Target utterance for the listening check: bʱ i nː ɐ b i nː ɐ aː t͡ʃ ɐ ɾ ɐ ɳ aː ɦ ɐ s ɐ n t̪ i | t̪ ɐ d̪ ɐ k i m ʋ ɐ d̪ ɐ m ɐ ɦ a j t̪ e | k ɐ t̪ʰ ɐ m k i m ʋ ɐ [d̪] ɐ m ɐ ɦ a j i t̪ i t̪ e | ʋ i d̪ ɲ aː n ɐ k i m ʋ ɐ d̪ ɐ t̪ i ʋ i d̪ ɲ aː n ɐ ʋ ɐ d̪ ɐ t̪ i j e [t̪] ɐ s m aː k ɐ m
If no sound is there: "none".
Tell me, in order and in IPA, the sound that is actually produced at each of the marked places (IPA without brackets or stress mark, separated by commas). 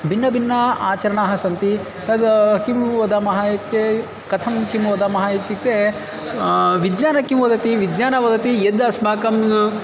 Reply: d̪, d̪